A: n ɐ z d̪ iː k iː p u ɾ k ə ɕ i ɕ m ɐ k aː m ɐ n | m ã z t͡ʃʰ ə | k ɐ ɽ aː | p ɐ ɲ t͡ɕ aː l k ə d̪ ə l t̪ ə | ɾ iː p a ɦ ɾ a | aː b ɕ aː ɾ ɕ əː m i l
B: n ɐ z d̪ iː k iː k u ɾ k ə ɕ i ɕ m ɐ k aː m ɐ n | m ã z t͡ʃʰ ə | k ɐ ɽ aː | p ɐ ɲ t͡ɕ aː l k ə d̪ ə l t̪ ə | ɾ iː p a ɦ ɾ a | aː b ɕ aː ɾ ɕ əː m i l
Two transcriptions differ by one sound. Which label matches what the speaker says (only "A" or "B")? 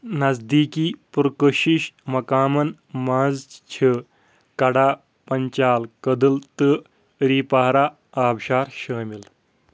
A